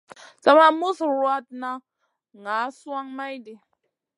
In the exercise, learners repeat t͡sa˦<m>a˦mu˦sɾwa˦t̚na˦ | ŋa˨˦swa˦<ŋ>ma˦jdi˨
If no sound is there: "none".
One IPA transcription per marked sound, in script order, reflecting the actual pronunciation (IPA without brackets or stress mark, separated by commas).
m, ŋ